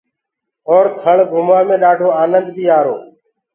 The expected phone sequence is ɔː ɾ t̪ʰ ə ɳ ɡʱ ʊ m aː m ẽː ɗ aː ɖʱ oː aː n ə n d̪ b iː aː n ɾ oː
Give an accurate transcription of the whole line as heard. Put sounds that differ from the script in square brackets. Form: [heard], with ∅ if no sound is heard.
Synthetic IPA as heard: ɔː ɾ t̪ʰ ə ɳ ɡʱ ʊ m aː m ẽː ɗ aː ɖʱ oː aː n ə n d̪ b iː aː [∅] ɾ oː